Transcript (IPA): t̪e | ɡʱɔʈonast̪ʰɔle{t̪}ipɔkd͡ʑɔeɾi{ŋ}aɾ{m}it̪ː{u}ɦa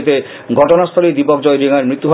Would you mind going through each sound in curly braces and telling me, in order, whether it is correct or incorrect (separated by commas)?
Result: incorrect, correct, correct, correct